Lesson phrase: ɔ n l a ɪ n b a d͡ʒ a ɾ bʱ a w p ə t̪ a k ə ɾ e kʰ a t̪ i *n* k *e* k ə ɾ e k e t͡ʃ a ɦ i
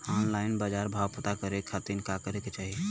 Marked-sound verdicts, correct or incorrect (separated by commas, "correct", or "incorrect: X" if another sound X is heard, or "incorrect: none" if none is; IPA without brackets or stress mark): correct, incorrect: a